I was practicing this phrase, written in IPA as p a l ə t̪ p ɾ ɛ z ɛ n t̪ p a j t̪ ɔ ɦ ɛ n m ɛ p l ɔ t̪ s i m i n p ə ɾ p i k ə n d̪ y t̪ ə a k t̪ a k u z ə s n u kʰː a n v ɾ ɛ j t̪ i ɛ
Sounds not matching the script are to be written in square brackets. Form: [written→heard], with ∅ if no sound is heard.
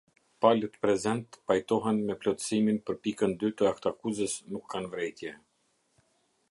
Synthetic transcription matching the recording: p a l ə t̪ p ɾ ɛ z ɛ n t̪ p a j t̪ ɔ ɦ ɛ n m ɛ p l ɔ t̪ s i m i n p ə ɾ p i k ə n d̪ y t̪ ə a k t̪ a k u z ə s n u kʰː a n v ɾ ɛ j t̪ [i→j] ɛ